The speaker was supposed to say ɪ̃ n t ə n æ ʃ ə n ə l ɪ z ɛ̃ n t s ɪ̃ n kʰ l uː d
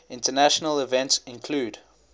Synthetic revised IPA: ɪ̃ n t ə n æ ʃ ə n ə l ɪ v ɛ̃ n t s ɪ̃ n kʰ l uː d

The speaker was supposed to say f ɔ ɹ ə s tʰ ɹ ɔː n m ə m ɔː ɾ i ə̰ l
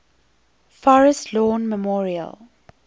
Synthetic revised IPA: f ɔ ɹ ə s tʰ l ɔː n m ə m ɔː ɹ i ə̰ l

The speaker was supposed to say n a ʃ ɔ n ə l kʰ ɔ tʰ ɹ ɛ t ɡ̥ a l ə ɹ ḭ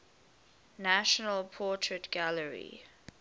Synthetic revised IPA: n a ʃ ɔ n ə l pʰ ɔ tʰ ɹ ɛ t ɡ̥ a l ə ɹ ḭ

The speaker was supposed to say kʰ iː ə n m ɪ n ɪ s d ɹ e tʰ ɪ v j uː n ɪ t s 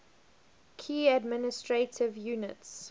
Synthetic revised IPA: kʰ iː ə d m ɪ n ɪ s t ɹ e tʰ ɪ v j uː n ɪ t s

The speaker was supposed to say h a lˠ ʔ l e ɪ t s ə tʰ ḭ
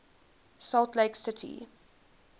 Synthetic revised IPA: s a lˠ t l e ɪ k s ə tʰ ḭ

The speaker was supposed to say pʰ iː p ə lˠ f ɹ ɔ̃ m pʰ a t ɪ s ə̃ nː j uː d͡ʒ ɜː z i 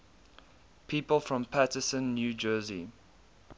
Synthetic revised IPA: pʰ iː p ə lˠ f ɹ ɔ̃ m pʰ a t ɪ s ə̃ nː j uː d͡ʒ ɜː z i

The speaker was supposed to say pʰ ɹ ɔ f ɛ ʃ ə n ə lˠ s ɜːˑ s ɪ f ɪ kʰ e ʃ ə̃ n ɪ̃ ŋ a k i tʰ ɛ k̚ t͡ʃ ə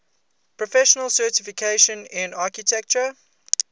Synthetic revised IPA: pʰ ɹ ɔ f ɛ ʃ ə n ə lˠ s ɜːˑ t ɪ f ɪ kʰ e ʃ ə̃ n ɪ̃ n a k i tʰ ɛ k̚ t͡ʃ ə

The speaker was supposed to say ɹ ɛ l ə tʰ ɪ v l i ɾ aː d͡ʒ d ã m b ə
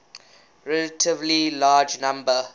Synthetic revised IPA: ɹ ɛ l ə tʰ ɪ v l i l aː d͡ʒ n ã m b ə

